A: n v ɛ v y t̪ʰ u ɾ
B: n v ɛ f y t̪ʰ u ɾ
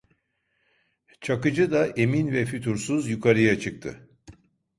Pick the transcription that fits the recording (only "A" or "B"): B